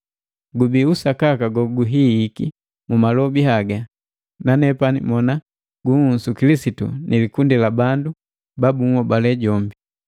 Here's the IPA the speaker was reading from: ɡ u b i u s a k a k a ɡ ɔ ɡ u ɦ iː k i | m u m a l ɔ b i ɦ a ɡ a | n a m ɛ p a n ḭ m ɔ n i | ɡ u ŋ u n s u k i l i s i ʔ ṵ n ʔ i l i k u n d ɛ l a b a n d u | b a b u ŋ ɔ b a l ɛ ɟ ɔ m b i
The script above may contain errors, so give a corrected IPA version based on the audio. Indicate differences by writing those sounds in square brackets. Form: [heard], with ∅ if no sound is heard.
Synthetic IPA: ɡ u b i u s a k a k a ɡ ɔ ɡ u ɦ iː k i | m u m a l ɔ b i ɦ a ɡ a | n a [n] ɛ p a n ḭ m ɔ n [a] | ɡ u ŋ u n s u k i l i s i [t] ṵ n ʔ i l i k u n d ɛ l a b a n d u | b a b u ŋ ɔ b a l ɛ ɟ ɔ m b i